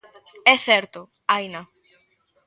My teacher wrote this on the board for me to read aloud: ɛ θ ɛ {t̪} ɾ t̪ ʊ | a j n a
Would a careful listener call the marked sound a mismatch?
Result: yes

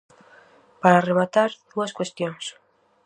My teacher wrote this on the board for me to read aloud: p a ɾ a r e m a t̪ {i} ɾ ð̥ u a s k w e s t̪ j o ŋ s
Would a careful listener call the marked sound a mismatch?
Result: yes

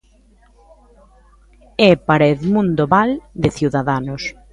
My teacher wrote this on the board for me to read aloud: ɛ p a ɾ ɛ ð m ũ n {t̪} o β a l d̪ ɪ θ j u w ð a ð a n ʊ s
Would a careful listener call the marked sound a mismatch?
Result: yes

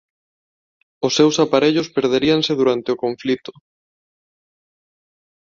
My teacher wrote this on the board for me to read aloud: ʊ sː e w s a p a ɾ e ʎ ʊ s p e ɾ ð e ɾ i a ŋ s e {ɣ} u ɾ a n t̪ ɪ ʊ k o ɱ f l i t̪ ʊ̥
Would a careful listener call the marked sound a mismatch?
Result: yes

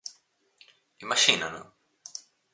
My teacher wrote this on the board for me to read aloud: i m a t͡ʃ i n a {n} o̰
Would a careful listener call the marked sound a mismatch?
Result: no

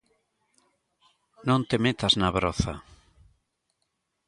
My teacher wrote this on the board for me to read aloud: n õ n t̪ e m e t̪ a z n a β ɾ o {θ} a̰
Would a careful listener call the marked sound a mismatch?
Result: no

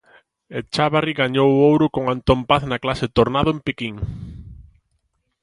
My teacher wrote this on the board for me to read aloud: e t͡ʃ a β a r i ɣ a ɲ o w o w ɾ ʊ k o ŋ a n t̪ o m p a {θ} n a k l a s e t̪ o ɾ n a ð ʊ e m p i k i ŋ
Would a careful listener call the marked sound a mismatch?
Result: no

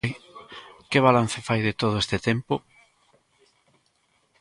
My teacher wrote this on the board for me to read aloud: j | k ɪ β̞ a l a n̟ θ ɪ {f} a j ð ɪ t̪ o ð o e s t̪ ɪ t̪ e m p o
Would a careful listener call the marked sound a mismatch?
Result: no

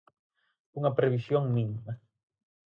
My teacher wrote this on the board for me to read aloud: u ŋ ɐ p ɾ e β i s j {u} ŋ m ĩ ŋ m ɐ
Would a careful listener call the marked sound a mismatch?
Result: yes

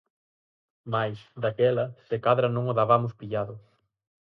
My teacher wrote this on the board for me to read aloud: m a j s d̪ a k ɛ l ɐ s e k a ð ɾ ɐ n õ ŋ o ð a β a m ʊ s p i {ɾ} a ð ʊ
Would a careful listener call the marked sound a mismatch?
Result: yes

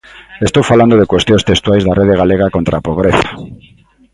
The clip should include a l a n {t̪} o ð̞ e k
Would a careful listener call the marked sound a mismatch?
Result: yes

